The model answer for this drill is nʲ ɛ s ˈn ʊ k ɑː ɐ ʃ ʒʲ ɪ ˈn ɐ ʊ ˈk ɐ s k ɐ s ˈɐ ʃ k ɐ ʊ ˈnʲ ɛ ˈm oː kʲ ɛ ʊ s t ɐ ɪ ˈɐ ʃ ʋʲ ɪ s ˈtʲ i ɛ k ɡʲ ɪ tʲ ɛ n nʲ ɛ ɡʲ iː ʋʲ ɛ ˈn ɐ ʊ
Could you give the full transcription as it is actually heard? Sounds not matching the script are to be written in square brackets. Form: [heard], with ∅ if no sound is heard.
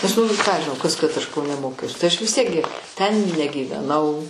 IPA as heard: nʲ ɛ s ˈn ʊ k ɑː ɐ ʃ ʒʲ ɪ ˈn ɐ ʊ ˈk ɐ s k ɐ [t] ˈɐ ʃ k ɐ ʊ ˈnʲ ɛ ˈm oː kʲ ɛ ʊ s t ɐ ɪ ˈɐ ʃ ʋʲ ɪ s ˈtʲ i ɛ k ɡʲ ɪ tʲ ɛ n nʲ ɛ ɡʲ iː ʋʲ ɛ ˈn ɐ ʊ